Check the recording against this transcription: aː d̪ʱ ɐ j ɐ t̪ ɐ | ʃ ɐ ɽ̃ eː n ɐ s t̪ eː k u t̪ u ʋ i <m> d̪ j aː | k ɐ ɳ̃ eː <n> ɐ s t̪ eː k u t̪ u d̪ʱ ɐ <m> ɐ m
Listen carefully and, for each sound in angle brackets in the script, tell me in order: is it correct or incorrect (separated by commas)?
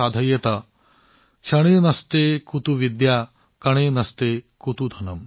incorrect, correct, incorrect